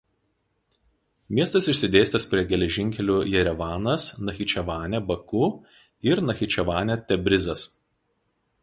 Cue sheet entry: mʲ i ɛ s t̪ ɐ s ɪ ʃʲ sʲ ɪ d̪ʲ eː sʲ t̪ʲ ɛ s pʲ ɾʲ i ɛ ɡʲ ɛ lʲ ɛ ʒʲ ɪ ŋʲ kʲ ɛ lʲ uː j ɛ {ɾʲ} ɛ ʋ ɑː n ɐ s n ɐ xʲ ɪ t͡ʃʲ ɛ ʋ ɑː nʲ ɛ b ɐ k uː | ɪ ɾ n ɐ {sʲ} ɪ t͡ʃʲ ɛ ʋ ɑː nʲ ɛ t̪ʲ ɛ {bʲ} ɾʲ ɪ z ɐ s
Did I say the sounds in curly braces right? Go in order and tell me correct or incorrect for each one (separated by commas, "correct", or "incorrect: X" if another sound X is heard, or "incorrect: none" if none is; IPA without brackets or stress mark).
correct, incorrect: xʲ, correct